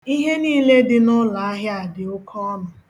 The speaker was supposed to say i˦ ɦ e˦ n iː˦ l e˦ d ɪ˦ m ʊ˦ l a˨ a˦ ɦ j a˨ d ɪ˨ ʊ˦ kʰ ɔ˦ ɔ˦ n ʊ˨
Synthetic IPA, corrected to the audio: i˦ ɦ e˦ n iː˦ l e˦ d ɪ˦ n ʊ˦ l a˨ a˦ ɦ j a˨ d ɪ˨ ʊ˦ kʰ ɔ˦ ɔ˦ n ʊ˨